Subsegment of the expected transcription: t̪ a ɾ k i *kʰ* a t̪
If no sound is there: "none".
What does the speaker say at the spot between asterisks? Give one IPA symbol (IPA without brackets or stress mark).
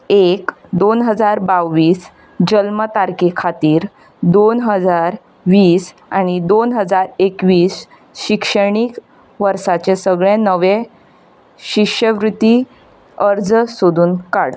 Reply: kʰ